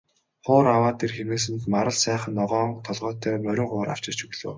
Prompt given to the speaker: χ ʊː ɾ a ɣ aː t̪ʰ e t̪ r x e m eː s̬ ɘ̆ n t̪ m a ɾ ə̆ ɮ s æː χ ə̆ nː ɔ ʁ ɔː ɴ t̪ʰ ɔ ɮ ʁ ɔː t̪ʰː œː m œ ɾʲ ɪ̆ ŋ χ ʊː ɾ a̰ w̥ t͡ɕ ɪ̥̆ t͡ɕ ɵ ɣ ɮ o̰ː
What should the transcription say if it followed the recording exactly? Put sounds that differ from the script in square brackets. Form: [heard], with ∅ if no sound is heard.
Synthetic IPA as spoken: χ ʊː ɾ a [w] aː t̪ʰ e [∅] r x e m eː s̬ ɘ̆ n t̪ m a ɾ ə̆ ɮ s æː χ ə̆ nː ɔ ʁ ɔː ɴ t̪ʰ ɔ ɮ ʁ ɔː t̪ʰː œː m œ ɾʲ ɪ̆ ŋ χ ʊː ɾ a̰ w̥ t͡ɕ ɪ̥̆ t͡ɕ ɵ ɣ ɮ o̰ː